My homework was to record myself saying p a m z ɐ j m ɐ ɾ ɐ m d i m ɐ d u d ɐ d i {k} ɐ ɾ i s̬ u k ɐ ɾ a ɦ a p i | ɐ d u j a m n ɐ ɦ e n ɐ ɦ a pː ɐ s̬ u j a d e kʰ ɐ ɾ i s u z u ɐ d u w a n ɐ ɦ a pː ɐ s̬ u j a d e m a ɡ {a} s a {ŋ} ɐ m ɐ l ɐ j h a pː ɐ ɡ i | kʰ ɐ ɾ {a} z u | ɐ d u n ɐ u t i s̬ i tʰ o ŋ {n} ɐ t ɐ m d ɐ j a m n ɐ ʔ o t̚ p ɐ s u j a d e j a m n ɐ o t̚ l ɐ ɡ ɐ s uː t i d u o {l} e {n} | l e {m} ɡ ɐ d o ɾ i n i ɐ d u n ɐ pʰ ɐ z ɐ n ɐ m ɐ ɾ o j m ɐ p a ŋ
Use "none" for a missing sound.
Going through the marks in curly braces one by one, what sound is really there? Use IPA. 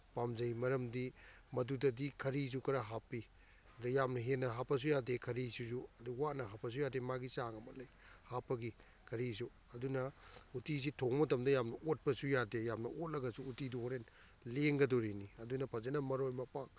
kʰ, i, ŋ, i, m, ɾ, n, ŋ

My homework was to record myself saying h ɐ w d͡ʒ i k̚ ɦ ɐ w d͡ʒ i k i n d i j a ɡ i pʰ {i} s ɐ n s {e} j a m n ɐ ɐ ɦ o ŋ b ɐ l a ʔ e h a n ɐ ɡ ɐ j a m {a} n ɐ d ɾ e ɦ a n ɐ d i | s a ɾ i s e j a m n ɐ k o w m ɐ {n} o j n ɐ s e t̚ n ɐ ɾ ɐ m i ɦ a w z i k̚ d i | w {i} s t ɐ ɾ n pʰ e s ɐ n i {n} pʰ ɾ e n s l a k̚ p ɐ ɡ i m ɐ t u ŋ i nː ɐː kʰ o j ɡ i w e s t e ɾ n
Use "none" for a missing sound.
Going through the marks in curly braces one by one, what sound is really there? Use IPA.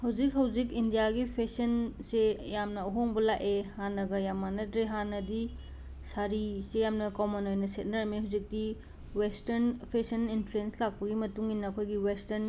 e, e, a, n, e, n

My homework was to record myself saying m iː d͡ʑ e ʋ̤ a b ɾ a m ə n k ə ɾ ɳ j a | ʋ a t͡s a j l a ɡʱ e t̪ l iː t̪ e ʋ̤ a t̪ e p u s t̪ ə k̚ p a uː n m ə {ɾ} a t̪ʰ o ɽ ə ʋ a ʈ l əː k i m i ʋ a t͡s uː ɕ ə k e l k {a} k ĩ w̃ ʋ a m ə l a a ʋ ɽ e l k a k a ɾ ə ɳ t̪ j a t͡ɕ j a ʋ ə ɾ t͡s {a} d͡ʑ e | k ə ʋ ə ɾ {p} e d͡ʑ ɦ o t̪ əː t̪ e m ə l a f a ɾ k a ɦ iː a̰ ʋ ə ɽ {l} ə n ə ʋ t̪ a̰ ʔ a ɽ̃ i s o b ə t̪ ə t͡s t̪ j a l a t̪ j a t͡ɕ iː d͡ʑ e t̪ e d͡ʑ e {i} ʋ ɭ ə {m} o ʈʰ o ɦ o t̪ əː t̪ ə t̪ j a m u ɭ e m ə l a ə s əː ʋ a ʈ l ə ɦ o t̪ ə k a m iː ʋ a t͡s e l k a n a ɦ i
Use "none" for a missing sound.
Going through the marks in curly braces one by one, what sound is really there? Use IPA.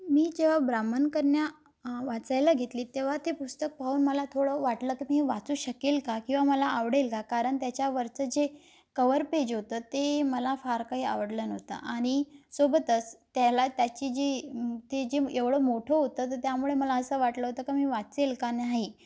l, a, ə, p, l, e, m

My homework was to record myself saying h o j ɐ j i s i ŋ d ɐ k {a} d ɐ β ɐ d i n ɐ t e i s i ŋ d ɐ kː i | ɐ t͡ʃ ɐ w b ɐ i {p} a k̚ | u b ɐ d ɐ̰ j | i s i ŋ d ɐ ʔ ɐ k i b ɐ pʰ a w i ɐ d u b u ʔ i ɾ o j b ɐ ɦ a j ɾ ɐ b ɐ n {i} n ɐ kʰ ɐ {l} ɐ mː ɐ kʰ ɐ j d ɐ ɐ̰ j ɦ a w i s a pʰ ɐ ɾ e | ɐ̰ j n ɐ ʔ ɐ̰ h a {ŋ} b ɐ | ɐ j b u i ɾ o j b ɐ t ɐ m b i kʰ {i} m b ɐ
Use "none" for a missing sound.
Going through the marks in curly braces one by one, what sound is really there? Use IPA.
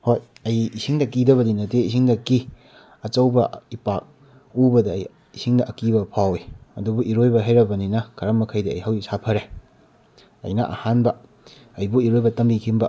i, p, i, ɾ, n, i

